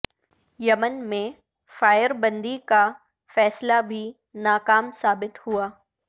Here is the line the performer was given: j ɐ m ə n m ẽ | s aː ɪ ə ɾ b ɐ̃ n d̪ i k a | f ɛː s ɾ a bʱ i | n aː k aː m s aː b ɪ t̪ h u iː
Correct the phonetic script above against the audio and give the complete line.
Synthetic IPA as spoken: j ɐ m ə n m ẽ | f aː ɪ ə ɾ b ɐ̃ n d̪ i k a | f ɛː s l a bʱ i | n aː k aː m s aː b ɪ t̪ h u aː